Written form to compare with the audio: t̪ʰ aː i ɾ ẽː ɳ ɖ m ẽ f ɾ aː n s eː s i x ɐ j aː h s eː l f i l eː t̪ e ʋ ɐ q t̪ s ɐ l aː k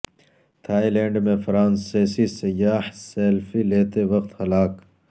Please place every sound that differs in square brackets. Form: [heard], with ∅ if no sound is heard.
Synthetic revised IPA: t̪ʰ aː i [l] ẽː ɳ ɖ m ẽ f ɾ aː n s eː s i [s] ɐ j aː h s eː l f i l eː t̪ e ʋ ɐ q t̪ [h] ɐ l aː k